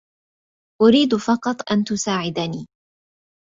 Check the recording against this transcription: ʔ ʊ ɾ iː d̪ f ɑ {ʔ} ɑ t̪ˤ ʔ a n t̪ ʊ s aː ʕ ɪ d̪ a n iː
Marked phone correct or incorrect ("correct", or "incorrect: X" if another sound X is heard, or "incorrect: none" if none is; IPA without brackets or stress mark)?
incorrect: q